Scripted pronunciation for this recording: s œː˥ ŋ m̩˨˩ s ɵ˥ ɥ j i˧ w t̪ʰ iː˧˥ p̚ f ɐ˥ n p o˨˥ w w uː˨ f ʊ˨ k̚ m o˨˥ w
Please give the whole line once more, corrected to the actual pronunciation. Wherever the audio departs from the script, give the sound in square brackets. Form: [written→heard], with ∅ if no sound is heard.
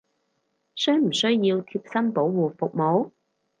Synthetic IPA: s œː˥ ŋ m̩˨˩ s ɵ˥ ɥ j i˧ w t̪ʰ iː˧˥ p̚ [f→s] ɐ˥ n p o˨˥ w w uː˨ f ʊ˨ k̚ m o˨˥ w

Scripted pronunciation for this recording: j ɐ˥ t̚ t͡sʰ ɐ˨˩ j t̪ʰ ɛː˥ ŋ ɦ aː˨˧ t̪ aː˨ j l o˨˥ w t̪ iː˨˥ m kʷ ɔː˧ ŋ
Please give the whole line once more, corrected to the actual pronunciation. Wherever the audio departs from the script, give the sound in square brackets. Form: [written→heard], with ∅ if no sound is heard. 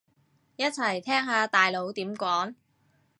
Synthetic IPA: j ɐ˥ t̚ t͡sʰ ɐ˨˩ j t̪ʰ ɛː˥ ŋ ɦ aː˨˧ t̪ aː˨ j l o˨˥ w t̪ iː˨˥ m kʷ [ɔː˧→ɔː˨˥] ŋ

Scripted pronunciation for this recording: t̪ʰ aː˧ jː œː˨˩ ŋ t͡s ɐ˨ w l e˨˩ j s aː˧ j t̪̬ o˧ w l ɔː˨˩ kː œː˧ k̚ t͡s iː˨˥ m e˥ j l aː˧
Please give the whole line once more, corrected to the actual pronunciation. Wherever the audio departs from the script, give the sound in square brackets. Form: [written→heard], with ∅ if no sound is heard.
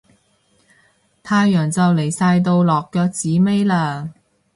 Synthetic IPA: t̪ʰ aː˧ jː œː˨˩ ŋ t͡s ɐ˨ w l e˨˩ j s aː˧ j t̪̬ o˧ w l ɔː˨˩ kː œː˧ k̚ t͡s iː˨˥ m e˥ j l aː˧

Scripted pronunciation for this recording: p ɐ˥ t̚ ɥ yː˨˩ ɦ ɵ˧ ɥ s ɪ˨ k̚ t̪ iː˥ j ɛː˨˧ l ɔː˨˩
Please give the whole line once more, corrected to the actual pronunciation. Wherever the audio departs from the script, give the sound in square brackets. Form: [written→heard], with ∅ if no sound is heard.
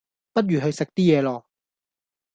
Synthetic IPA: p ɐ˥ t̚ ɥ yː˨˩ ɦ ɵ˧ ɥ s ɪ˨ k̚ t̪ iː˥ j ɛː˨˧ l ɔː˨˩

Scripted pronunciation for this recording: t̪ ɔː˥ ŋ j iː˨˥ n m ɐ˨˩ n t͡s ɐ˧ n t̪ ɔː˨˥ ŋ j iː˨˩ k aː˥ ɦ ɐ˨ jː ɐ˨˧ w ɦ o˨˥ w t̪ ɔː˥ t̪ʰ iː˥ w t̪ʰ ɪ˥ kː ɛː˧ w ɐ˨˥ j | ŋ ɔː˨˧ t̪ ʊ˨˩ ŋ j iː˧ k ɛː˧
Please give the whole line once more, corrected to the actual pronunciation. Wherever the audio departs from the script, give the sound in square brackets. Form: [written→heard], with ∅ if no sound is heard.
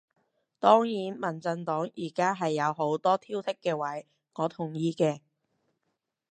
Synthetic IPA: t̪ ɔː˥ ŋ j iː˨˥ n m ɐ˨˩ n t͡s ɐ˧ n t̪ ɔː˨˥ ŋ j iː˨˩ k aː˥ ɦ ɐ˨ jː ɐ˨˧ w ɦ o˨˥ w t̪ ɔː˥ t̪ʰ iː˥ w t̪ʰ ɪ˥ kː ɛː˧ w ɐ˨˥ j | ŋ ɔː˨˧ [t̪→t̪ʰ] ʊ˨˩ ŋ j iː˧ k ɛː˧

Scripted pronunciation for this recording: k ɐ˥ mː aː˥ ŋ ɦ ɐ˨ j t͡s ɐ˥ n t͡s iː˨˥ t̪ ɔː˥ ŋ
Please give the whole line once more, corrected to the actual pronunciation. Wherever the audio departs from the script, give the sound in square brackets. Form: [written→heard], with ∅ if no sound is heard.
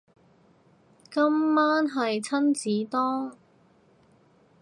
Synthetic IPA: k ɐ˥ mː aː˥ [ŋ→n] ɦ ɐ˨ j [t͡s→t͡sʰ] ɐ˥ n t͡s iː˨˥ t̪ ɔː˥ ŋ

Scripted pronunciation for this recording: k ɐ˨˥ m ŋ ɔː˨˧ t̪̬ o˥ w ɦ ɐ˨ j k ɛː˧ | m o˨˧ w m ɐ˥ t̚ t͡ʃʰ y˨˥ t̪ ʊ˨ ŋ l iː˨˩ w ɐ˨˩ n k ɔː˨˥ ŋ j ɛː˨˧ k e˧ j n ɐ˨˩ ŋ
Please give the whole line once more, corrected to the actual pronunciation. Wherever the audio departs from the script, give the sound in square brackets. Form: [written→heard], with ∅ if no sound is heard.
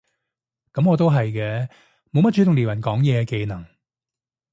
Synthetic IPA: k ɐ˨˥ m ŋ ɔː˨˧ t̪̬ o˥ w ɦ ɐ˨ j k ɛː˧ | m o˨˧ w m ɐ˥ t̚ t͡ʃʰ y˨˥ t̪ ʊ˨ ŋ l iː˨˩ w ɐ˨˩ n k ɔː˨˥ ŋ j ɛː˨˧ k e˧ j n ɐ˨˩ ŋ

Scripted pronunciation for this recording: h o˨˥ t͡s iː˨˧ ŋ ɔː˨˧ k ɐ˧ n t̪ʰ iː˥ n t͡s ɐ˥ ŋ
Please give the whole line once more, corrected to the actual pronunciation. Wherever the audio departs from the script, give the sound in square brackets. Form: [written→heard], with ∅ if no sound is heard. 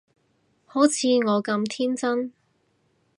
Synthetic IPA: h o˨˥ [t͡s→t͡sʰ] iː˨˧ ŋ ɔː˨˧ k ɐ˧ [n→m] t̪ʰ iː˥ n t͡s ɐ˥ [ŋ→n]

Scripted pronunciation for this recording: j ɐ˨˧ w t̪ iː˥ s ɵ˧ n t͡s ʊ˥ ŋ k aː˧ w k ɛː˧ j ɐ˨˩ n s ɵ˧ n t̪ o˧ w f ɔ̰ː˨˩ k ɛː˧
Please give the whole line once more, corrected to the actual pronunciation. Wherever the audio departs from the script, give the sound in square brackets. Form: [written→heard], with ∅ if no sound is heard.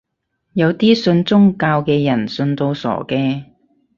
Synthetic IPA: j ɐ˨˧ w t̪ iː˥ s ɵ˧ n t͡s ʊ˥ ŋ k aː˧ w k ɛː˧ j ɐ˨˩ n s ɵ˧ n t̪ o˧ w [f→s] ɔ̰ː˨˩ k ɛː˧

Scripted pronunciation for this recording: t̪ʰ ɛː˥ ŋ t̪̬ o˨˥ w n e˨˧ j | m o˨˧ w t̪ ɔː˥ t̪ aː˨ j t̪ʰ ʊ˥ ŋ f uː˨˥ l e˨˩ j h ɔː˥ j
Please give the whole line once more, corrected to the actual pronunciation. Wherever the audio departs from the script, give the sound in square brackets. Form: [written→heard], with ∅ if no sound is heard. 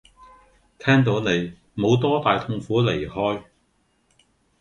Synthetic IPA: t̪ʰ ɛː˥ ŋ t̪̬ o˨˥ w n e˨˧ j | m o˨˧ w t̪ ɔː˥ t̪ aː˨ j t̪ʰ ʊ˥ ŋ f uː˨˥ l e˨˩ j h ɔː˥ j

